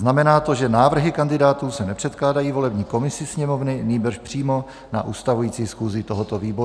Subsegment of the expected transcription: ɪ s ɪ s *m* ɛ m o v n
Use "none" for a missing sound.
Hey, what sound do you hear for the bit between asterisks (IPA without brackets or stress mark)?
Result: ɲ